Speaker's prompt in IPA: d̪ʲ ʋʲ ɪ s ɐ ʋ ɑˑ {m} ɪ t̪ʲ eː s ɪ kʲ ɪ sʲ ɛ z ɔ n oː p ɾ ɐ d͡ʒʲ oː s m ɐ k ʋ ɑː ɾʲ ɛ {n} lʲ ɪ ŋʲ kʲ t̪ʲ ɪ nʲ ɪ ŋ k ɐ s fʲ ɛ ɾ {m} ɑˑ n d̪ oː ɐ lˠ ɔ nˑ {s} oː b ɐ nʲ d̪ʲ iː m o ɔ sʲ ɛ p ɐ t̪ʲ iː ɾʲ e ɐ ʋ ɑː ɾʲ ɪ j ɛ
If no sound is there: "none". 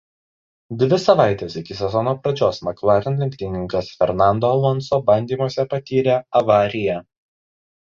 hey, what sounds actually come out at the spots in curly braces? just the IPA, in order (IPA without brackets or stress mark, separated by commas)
none, n, n, s